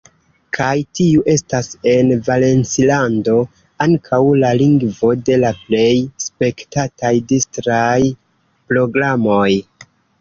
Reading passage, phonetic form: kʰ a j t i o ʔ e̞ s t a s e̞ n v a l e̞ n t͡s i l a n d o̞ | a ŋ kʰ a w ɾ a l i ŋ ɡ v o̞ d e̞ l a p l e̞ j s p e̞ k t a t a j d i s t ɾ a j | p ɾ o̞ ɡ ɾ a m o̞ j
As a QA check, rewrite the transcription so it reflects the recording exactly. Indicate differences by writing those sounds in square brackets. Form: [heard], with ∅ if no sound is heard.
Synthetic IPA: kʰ a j t i [u] ʔ e̞ s t a s e̞ n v a l e̞ n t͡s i l a n d o̞ | a ŋ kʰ a w [l] a l i ŋ ɡ v o̞ d e̞ l a p l e̞ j s p e̞ k t a t a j d i s t ɾ a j | p ɾ o̞ ɡ ɾ a m o̞ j